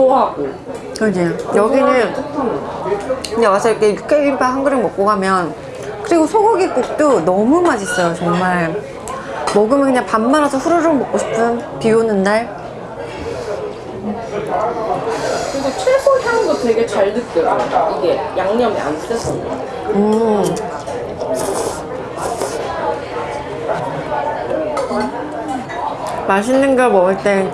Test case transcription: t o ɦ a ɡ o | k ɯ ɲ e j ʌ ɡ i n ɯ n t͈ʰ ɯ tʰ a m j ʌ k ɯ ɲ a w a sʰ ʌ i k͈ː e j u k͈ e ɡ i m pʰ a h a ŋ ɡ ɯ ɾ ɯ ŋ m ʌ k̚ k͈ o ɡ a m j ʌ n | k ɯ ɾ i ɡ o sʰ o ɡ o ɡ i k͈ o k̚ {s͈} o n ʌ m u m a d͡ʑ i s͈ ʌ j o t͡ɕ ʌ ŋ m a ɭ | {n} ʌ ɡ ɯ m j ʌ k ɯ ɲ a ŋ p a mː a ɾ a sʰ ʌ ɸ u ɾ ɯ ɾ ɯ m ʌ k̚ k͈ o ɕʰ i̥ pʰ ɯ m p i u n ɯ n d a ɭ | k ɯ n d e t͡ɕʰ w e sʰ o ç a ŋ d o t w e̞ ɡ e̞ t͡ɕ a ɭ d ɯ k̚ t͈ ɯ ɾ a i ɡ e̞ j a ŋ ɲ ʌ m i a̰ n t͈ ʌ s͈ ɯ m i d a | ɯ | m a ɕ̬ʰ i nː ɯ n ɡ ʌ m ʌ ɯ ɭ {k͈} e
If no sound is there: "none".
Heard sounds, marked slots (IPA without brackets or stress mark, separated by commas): t͈, m, t͈